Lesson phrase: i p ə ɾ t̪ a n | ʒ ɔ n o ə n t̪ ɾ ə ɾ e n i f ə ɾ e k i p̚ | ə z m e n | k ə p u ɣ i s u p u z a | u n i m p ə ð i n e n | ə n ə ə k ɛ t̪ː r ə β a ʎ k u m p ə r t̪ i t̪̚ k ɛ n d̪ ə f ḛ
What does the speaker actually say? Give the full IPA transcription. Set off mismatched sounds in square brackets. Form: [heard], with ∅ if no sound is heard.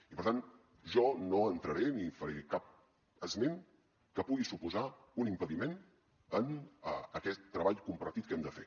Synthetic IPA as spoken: i p ə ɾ t̪ a n | ʒ ɔ n o ə n t̪ ɾ ə ɾ e n i f ə ɾ e k [a] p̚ | ə z m e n | k ə p u ɣ i s u p u z a | u n i m p ə ð i [m] e n | ə n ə ə k ɛ t̪ː [ɾ] ə β a ʎ k u m p ə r t̪ i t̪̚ k ɛ [m] d̪ ə f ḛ